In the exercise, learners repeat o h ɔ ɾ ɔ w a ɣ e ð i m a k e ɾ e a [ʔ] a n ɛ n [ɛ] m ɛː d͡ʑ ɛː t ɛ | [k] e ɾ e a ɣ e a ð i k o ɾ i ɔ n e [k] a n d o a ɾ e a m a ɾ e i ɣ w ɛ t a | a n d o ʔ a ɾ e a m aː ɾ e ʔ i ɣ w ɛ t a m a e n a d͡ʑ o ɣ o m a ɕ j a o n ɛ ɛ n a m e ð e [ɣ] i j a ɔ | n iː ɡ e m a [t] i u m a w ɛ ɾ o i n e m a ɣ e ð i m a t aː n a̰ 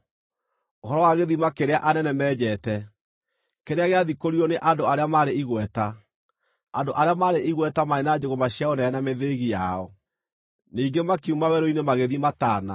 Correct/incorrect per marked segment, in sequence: correct, correct, correct, incorrect: ʔ, correct, incorrect: k

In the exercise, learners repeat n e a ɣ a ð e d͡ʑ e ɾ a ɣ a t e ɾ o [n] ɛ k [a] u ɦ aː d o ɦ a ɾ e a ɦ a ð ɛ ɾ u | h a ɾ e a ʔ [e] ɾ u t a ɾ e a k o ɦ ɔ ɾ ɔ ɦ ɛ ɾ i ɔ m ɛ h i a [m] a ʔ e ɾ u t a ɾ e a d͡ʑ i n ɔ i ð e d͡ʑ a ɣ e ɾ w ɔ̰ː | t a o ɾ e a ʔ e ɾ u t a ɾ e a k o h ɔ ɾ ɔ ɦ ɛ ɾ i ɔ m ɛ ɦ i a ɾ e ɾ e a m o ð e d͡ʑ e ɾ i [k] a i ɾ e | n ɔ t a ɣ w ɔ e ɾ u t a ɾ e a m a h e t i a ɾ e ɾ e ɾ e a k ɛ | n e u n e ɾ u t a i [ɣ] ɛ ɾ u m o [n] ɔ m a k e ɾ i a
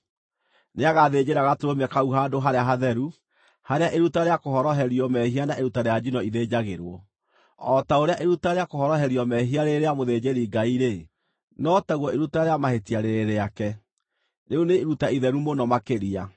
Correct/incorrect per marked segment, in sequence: incorrect: m, correct, correct, incorrect: n, incorrect: ɡ, incorrect: ð, correct

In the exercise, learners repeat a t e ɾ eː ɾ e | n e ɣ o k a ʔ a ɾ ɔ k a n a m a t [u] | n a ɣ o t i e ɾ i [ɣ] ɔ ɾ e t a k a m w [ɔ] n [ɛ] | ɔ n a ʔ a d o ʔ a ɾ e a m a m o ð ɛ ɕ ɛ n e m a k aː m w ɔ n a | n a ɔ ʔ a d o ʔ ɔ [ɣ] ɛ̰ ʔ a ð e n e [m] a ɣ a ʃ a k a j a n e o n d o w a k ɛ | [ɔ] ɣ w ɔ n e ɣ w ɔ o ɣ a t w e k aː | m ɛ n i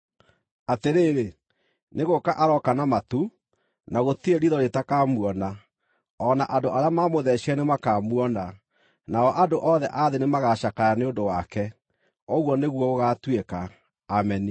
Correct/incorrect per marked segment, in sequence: correct, incorrect: ð, correct, incorrect: a, incorrect: ð, correct, correct

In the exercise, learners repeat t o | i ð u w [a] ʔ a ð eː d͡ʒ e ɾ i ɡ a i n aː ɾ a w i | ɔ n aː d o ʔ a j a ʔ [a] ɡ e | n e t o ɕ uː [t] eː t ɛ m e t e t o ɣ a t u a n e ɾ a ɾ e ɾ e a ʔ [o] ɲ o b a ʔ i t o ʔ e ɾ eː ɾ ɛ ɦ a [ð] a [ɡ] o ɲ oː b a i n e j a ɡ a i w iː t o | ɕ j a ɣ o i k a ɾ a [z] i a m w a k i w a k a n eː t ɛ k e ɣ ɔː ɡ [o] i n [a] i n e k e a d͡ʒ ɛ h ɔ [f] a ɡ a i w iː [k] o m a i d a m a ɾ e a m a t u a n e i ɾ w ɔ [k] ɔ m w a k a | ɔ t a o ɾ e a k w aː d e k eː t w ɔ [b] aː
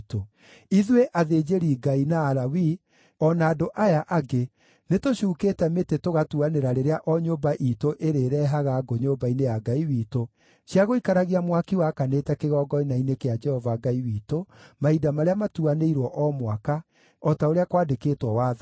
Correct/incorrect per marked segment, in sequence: incorrect: e, correct, incorrect: k, incorrect: ɔ, incorrect: ɣ, correct, incorrect: ɣ, incorrect: ɔ, correct, incorrect: v, incorrect: t, incorrect: ʔ, incorrect: w

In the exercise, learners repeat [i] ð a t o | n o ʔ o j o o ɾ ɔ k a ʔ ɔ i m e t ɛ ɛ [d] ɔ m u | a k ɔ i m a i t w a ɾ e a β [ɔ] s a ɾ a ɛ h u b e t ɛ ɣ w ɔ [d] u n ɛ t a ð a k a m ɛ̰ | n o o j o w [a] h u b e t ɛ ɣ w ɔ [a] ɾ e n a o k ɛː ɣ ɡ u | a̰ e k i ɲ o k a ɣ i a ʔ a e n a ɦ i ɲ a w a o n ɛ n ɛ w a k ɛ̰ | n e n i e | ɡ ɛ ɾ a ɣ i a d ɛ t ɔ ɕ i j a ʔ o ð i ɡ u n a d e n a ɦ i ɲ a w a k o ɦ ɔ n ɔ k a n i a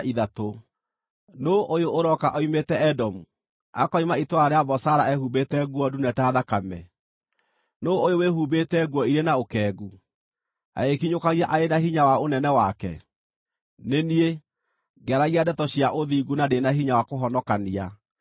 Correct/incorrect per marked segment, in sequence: correct, correct, correct, correct, incorrect: e, incorrect: i

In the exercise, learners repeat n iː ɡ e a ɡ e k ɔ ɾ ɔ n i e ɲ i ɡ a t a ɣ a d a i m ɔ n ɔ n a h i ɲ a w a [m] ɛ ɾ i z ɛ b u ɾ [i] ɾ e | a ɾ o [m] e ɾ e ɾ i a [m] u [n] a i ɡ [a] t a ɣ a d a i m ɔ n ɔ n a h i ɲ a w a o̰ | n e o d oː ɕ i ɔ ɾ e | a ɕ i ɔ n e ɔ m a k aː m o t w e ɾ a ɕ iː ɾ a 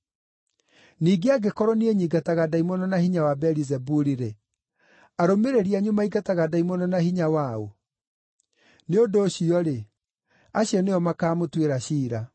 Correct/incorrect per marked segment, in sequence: incorrect: b, correct, correct, incorrect: ɲ, incorrect: m, correct

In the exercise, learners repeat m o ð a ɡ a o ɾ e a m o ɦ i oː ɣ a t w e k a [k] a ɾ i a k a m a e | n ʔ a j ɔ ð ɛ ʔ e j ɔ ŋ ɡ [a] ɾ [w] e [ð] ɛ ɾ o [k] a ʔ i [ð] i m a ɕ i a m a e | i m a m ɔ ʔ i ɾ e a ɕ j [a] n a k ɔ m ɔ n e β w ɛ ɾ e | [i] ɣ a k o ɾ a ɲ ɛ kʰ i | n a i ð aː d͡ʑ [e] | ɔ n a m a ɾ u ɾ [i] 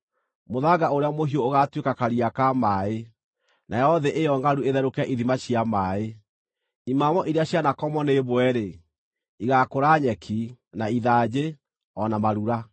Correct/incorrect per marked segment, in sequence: correct, correct, incorrect: u, correct, correct, correct, correct, correct, correct, incorrect: a

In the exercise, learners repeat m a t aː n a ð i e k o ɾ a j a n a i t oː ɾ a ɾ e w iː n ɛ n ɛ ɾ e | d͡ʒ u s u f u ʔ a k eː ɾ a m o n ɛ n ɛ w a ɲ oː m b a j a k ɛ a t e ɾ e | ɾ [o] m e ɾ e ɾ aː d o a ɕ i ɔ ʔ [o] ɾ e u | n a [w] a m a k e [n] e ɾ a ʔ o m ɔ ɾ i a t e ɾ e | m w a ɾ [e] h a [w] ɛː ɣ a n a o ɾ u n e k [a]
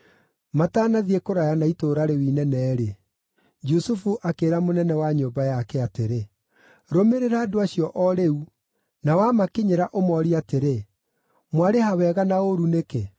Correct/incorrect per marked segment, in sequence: correct, incorrect: ɔ, correct, incorrect: ɲ, correct, correct, incorrect: e

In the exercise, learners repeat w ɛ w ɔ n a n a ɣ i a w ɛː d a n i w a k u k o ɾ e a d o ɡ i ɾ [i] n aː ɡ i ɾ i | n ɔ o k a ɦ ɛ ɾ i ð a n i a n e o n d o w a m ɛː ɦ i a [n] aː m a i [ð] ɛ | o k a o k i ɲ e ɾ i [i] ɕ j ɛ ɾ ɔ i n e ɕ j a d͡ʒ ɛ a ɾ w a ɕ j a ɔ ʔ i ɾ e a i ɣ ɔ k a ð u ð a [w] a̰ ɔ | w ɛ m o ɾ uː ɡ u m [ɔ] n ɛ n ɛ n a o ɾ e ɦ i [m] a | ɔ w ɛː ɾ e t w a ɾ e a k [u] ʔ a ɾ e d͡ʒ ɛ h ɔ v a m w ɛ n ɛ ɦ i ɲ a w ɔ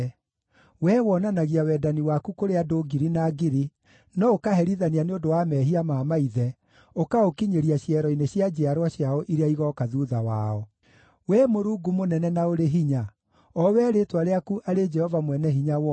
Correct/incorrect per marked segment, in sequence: correct, incorrect: m, correct, incorrect: a, correct, incorrect: o, incorrect: ɲ, correct

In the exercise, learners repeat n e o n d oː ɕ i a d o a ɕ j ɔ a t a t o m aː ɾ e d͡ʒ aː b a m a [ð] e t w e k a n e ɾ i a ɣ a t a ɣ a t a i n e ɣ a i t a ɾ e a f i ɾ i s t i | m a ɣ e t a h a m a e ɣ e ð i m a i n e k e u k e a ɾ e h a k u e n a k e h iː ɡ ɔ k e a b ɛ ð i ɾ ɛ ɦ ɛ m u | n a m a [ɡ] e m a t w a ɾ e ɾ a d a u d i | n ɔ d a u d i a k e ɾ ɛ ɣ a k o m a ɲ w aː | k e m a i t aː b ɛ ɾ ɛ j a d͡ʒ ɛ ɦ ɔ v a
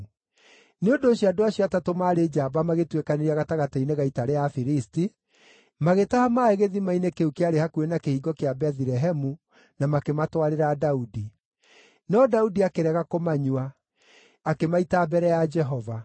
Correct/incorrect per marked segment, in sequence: incorrect: ɣ, incorrect: k

